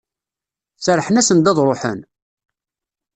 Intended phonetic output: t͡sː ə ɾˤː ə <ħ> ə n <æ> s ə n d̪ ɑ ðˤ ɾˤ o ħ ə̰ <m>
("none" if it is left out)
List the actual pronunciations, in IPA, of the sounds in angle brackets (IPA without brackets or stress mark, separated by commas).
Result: ħ, æ, n